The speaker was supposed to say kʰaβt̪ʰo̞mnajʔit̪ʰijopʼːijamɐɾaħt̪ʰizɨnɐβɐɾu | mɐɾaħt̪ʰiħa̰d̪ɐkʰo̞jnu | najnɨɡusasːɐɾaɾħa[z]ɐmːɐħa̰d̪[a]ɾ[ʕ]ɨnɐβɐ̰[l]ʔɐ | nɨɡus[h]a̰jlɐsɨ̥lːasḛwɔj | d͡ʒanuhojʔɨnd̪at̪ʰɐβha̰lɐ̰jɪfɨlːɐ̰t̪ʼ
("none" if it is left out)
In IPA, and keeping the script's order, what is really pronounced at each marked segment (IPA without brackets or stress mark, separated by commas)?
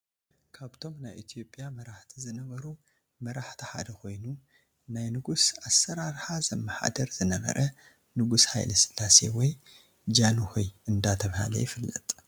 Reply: z, ɐ, z, ɾ, h